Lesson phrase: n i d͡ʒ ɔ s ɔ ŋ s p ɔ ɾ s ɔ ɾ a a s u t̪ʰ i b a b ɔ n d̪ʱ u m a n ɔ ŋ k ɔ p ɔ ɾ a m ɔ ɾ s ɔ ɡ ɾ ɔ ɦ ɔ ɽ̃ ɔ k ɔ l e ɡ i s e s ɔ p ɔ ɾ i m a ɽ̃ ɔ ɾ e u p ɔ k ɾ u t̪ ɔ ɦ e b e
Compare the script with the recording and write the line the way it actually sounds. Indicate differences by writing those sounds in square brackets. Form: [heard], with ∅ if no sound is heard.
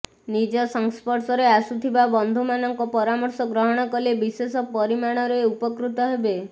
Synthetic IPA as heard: n i d͡ʒ ɔ s ɔ ŋ s p ɔ ɾ s ɔ ɾ [e] a s u t̪ʰ i b a b ɔ n d̪ʱ u m a n ɔ ŋ k ɔ p ɔ ɾ a m ɔ ɾ s ɔ ɡ ɾ ɔ ɦ ɔ ɽ̃ ɔ k ɔ l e [b] i s e s ɔ p ɔ ɾ i m a ɽ̃ ɔ ɾ e u p ɔ k ɾ u t̪ ɔ ɦ e b e